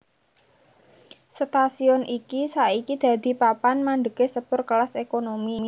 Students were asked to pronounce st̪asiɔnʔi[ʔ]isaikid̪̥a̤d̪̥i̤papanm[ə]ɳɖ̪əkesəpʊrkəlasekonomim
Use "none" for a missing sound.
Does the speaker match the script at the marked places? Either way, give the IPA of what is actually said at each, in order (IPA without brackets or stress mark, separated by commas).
k, a